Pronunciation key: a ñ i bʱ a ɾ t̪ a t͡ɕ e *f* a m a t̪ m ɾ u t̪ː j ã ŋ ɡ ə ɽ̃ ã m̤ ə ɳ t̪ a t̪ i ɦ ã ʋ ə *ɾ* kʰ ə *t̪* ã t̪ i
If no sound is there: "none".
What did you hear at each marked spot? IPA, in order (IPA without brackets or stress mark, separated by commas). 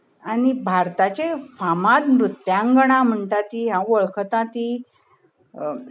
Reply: f, ɭ, t̪